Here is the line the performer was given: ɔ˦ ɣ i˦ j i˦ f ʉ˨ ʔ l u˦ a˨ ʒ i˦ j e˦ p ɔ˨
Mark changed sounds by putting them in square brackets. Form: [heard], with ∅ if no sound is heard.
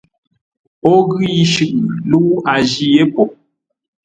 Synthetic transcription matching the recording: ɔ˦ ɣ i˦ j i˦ [ʃ] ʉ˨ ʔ l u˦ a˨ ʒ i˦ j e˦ p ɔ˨